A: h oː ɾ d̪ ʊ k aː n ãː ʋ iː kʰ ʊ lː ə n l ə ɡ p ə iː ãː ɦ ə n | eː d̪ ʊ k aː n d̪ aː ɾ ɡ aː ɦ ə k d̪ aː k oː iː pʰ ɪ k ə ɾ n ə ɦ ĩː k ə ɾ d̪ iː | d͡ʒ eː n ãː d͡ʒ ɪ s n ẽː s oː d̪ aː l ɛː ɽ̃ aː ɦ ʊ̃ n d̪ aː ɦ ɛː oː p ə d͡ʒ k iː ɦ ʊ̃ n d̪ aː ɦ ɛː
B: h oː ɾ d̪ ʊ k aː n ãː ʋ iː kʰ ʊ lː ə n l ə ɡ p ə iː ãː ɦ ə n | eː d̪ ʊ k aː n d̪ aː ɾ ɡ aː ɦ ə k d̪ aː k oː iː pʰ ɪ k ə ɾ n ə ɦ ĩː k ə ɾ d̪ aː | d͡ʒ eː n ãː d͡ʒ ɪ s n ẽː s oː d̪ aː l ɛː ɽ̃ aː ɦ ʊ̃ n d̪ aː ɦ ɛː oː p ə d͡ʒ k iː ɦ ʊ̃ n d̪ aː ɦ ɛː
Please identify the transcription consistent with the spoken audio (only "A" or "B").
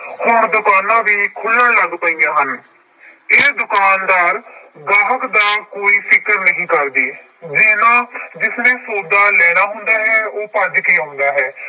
A